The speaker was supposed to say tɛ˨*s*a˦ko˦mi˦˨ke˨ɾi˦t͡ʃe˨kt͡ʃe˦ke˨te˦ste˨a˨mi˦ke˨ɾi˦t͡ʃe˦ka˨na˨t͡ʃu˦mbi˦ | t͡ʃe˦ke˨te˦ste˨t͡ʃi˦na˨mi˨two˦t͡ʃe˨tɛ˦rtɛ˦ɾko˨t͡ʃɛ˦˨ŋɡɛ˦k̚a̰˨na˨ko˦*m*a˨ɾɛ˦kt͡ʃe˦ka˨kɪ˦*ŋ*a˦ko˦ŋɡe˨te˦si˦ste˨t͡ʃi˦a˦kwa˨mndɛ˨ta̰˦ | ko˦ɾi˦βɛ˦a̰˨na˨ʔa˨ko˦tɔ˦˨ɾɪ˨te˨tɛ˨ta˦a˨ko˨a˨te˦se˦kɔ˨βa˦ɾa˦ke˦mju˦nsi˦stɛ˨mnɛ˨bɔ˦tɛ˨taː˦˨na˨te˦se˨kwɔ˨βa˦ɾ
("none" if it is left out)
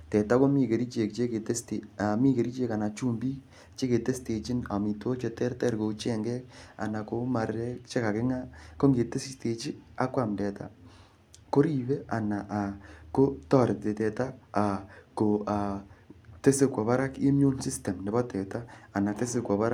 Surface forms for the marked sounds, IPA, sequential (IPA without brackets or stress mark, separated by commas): t, m, ŋ